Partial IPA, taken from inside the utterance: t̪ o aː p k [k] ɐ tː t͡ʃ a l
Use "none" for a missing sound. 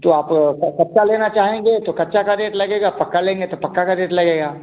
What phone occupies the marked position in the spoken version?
k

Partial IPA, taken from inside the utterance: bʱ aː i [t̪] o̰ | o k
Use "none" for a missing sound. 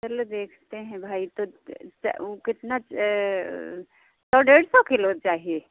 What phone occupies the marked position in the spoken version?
t̪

